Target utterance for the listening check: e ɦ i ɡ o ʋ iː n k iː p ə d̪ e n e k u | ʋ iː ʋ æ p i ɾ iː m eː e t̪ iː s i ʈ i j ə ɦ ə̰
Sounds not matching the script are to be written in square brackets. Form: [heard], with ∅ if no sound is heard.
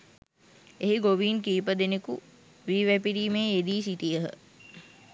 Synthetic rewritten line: e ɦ i ɡ o ʋ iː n k iː p ə d̪ e n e k u | ʋ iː ʋ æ p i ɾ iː m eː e [d̪] iː s i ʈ i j ə ɦ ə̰

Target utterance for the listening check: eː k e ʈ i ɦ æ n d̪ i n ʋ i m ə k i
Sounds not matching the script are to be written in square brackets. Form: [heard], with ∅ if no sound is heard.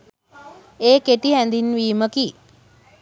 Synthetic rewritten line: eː k e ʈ i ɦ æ n d̪ i n ʋ [iː] m ə k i

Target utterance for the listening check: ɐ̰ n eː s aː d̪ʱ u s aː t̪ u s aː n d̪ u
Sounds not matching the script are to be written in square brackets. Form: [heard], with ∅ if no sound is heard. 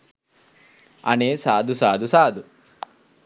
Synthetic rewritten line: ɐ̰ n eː s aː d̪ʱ u s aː [d̪] u s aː [∅] d̪ u

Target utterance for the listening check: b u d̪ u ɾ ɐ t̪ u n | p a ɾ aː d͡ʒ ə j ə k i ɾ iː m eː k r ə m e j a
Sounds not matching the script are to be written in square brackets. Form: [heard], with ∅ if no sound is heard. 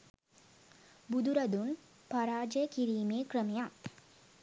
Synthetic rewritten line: b u d̪ u ɾ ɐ [d̪] u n | p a ɾ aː d͡ʒ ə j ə k i ɾ iː m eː k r ə m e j a

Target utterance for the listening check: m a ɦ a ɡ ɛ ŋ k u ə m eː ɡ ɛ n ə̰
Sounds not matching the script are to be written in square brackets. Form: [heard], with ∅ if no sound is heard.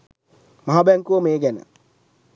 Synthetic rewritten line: m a ɦ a [b] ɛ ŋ k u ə m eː ɡ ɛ n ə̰

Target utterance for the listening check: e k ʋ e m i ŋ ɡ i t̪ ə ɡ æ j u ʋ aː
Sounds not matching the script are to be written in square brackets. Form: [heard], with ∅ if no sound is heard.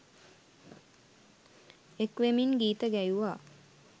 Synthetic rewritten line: e k ʋ e m i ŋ ɡ [iː] t̪ ə ɡ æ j u ʋ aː

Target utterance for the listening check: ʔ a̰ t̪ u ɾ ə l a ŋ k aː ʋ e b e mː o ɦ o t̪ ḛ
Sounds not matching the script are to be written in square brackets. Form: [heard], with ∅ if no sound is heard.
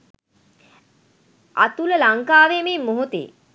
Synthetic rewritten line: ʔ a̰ t̪ u [l] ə l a ŋ k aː ʋ e [m] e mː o ɦ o t̪ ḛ

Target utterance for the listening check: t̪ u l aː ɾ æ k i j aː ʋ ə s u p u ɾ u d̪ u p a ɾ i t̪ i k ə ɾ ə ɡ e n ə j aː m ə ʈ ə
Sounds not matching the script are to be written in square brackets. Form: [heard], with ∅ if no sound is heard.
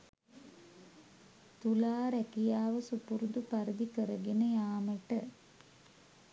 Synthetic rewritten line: t̪ u l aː ɾ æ k i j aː ʋ ə s u p u ɾ u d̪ u p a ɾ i [d̪] i k ə ɾ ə ɡ e n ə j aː m ə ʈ ə

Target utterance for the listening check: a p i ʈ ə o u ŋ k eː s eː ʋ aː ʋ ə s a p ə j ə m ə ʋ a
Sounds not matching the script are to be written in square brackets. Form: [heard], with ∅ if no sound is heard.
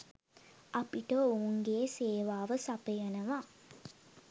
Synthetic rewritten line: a p i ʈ ə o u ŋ [ɡ] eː s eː ʋ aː ʋ ə s a p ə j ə [n] ə ʋ a

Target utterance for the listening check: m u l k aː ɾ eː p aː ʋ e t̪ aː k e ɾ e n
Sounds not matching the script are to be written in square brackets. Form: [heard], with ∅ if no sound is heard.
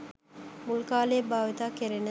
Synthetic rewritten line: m u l k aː [l] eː [b] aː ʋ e t̪ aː k e ɾ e n

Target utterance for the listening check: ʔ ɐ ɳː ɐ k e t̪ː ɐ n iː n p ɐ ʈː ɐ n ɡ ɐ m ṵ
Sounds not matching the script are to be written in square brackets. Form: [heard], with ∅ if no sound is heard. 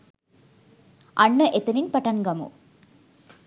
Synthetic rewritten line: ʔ ɐ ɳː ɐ [ʔ] e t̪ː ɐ n [i] n p ɐ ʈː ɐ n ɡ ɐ m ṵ

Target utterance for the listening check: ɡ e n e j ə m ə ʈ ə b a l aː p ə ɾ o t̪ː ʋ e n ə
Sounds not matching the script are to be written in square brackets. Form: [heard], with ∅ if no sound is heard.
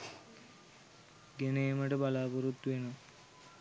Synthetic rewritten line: ɡ e n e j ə m ə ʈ ə b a l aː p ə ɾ [u] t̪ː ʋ e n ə

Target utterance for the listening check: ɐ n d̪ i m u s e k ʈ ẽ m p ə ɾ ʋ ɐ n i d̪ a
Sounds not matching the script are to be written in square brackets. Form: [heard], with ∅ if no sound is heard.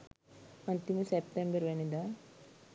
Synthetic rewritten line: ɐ n [t̪] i m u s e [p] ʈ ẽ m [b] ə ɾ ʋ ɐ n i d̪ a

